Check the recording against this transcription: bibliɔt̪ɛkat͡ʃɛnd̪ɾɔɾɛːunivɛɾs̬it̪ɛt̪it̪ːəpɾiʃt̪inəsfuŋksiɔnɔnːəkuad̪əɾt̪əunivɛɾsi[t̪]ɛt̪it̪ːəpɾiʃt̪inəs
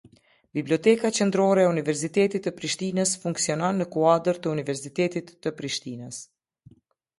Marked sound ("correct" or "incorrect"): correct